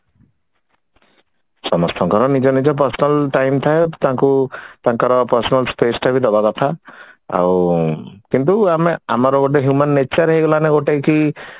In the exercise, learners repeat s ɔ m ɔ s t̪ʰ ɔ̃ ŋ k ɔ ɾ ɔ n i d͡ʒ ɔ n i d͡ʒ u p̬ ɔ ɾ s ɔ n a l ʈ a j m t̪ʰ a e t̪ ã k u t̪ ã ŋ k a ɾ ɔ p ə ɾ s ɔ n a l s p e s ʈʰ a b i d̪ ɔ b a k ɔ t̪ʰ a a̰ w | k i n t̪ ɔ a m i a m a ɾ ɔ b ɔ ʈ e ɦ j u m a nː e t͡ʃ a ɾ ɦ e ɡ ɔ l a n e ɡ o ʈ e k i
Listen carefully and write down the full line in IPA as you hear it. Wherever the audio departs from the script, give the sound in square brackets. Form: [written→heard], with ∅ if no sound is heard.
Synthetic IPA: s ɔ m ɔ s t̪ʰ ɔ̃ ŋ k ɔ ɾ ɔ n i d͡ʒ ɔ n i d͡ʒ [u→ɔ] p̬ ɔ ɾ s ɔ n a l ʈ a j m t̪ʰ a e t̪ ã k u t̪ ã ŋ k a ɾ ɔ p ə ɾ s ɔ n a l s p e s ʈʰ a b i d̪ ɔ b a k ɔ t̪ʰ a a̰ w | k i n t̪ [ɔ→u] a m [i→e] a m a ɾ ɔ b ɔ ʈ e ɦ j u m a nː e t͡ʃ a ɾ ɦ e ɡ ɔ l a n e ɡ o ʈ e k i